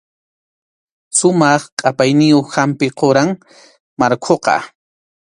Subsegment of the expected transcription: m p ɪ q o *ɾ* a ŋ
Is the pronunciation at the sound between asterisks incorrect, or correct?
correct